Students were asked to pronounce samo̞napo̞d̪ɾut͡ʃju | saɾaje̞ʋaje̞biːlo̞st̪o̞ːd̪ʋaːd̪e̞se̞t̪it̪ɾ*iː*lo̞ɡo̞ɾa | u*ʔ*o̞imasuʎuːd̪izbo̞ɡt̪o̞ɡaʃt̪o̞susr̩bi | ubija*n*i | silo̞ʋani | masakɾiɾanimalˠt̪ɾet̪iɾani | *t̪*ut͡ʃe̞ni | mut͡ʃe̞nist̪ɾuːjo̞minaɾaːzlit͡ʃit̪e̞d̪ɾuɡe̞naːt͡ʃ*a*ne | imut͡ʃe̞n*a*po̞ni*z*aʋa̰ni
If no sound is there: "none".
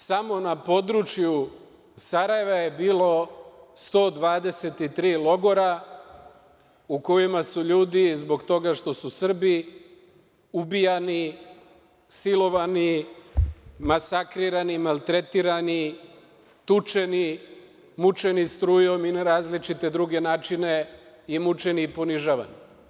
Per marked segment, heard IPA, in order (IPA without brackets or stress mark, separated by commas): iː, k, n, t̪, i, i, ʒ